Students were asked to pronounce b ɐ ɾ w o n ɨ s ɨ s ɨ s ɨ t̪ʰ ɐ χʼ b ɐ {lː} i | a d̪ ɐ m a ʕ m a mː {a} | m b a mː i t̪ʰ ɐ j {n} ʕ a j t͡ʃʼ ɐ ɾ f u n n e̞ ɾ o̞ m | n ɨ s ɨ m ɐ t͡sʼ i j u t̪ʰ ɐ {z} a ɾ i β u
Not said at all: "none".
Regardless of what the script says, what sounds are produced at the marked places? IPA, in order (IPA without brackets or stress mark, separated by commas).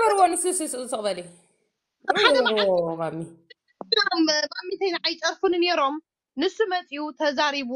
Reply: l, i, n, z